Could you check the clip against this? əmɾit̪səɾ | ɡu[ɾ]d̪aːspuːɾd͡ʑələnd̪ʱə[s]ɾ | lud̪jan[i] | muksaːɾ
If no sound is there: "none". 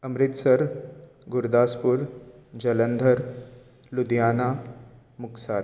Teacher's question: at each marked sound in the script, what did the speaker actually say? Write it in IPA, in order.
ɾ, none, a

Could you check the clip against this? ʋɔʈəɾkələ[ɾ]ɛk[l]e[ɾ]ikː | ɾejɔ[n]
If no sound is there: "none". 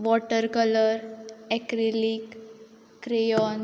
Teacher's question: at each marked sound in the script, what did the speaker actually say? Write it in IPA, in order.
ɾ, ɾ, l, n

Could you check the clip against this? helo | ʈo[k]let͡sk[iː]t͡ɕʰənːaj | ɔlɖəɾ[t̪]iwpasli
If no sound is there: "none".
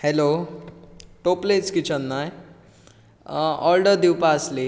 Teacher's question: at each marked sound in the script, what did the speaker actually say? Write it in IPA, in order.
p, i, d̪

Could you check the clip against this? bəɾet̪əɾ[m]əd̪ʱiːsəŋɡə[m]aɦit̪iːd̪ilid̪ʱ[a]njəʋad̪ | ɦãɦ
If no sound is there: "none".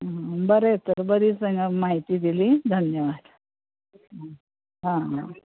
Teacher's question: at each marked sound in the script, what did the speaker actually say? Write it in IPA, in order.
b, m, ə

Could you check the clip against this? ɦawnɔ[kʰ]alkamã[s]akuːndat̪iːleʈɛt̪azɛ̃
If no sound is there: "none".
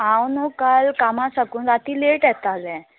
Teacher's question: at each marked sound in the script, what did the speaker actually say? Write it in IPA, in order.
k, s

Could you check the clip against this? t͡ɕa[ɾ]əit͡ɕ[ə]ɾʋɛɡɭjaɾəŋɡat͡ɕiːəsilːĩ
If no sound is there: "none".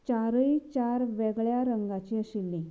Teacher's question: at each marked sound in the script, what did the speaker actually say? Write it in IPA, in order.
ɾ, a

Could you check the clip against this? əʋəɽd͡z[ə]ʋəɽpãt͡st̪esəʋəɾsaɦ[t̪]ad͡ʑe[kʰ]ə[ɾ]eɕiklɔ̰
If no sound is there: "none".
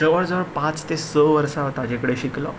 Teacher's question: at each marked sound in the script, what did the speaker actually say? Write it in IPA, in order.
ə, t̪, k, ɽ

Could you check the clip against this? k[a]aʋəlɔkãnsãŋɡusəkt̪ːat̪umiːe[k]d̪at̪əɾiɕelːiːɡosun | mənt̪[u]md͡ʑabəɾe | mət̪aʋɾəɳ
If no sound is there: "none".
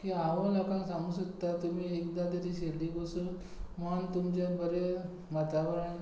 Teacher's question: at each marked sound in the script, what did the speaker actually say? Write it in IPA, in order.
i, k, u

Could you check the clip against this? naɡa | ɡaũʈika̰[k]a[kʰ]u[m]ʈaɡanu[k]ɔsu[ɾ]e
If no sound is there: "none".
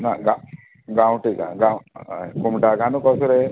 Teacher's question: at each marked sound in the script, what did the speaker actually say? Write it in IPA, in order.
ɡ, k, m, k, ɾ

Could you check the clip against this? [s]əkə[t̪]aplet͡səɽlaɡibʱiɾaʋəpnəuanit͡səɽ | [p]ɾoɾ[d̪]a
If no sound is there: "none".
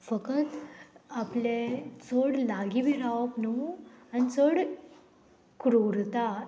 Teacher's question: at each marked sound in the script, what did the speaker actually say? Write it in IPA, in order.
f, t̪, k, t̪

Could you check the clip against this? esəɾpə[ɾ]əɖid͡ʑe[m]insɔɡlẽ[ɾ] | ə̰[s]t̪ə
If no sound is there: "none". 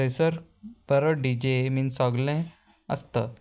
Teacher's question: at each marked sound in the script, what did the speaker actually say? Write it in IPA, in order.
ɾ, m, none, s

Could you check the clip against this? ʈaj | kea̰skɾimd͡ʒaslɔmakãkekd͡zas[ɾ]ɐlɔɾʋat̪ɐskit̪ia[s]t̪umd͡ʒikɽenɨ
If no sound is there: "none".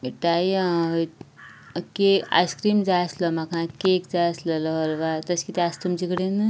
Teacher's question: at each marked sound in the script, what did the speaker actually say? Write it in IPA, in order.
l, s

